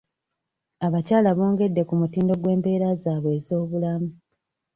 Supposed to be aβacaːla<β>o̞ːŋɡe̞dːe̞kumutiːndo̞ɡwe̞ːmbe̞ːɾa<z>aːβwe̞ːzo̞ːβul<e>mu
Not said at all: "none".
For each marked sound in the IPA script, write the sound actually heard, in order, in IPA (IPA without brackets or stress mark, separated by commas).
β, z, a